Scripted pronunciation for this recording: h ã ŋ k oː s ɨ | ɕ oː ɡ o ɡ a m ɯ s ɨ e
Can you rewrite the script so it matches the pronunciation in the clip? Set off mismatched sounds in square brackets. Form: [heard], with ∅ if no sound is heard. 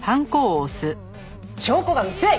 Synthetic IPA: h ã ŋ k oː s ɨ | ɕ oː [k] o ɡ a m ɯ s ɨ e